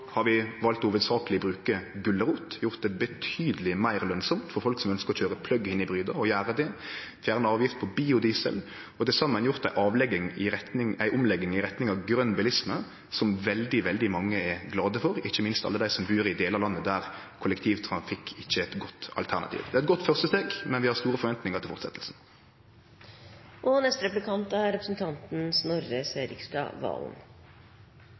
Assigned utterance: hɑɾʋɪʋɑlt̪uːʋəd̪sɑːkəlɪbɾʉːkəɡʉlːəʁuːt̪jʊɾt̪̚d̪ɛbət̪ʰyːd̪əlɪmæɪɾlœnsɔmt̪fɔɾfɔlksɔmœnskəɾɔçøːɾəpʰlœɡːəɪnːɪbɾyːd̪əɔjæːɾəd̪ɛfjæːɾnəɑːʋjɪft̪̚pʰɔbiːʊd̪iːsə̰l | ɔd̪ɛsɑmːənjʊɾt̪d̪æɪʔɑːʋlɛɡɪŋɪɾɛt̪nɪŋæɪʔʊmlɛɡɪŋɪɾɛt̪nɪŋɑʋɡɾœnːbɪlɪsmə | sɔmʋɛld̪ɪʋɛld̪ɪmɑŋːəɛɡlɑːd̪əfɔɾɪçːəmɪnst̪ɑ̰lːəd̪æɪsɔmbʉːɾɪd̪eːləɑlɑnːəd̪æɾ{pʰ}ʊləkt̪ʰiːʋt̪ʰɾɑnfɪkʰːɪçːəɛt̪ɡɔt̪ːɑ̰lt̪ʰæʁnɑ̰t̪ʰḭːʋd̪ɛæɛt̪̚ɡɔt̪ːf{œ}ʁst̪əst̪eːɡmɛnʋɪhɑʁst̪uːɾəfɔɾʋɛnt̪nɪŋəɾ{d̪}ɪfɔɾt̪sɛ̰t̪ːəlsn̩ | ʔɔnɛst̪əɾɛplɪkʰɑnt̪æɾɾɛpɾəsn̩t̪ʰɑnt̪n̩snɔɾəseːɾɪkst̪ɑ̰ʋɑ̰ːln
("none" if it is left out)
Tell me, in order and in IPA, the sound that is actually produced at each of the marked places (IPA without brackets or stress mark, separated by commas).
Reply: kʰ, œ, t̪